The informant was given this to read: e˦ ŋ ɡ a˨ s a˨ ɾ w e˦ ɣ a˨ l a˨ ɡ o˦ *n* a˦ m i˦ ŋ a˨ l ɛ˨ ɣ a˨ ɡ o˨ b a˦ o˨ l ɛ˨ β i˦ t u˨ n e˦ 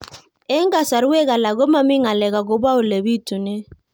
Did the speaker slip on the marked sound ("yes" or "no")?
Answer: yes